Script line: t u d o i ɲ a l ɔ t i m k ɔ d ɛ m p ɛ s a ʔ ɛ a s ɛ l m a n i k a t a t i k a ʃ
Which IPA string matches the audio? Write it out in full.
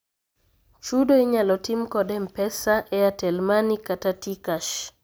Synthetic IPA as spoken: t͡ʃ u d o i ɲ a l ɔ t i m k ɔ d ɛ m p ɛ s a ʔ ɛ a t ɛ l m a n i k a t a t i k a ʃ